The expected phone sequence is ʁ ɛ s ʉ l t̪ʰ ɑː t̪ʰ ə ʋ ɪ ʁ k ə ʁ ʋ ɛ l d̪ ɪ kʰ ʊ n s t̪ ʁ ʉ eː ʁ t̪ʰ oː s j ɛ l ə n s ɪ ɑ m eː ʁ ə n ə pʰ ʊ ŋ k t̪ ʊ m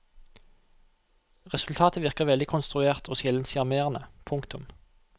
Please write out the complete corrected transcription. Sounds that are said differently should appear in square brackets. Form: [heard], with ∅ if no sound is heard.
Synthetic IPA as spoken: ʁ ɛ s ʉ l t̪ʰ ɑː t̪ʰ ə ʋ ɪ ʁ k ə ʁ ʋ ɛ l d̪ ɪ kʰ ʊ n s t̪ ʁ ʉ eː ʁ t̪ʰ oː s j ɛ l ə n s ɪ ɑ m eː ʁ ə n ə pʰ ʊ ŋ k t̪ ʊ m